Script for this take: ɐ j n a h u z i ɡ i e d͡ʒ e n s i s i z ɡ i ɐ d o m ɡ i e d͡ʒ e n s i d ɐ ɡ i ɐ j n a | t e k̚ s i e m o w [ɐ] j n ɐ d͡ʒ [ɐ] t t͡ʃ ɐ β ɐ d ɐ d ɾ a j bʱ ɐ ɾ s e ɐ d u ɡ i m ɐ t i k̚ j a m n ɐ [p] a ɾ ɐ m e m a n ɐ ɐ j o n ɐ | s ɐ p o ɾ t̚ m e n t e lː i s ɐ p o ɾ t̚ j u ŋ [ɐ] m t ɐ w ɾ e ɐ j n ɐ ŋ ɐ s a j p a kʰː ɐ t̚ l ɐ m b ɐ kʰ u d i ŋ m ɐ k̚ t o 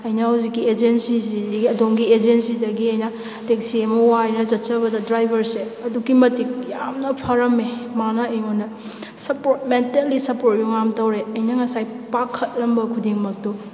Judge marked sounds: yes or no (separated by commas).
no, yes, no, no